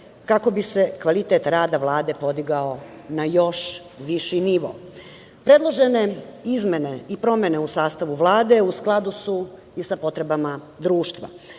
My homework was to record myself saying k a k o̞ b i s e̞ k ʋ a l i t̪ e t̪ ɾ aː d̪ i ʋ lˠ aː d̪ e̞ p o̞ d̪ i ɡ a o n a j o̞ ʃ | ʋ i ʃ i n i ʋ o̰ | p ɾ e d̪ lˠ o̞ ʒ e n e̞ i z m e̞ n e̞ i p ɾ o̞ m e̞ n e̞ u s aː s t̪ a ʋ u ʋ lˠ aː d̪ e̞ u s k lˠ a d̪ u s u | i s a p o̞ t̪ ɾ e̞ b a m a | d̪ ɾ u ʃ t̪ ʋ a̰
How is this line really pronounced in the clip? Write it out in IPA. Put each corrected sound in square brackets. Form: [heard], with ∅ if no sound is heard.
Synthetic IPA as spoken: k a k o̞ b i s e̞ k ʋ a l i t̪ e t̪ ɾ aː d̪ [a] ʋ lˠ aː d̪ e̞ p o̞ d̪ i ɡ a o n a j o̞ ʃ | ʋ i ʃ i n i ʋ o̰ | p ɾ e d̪ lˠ o̞ ʒ e n e̞ i z m e̞ n e̞ i p ɾ o̞ m e̞ n e̞ u s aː s t̪ a ʋ u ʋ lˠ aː d̪ e̞ u s k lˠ a d̪ u s u | i s a p o̞ t̪ ɾ e̞ b a m a | d̪ ɾ [uː] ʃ t̪ ʋ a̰